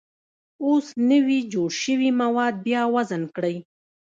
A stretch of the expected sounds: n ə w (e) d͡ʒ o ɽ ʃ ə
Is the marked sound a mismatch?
yes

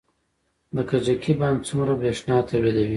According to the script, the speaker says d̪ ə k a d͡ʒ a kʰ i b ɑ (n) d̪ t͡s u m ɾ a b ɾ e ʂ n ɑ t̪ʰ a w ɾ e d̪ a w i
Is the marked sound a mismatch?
no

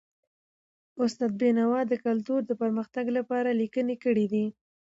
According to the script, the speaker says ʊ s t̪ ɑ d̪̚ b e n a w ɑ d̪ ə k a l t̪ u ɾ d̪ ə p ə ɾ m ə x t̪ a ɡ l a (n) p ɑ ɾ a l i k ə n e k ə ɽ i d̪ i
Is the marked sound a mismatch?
yes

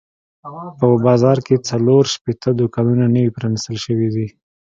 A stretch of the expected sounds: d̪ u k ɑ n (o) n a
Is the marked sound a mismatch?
yes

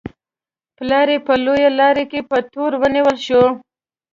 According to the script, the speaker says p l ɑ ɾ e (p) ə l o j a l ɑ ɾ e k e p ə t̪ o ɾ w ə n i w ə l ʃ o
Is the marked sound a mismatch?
no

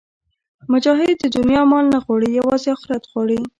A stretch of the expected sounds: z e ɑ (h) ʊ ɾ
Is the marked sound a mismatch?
yes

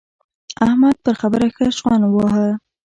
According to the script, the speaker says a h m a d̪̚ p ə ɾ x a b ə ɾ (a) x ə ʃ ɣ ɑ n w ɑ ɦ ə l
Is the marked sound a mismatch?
no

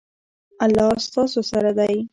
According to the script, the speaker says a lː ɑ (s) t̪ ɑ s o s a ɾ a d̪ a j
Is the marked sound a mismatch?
no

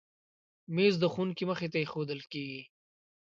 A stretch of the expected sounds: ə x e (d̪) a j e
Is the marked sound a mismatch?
yes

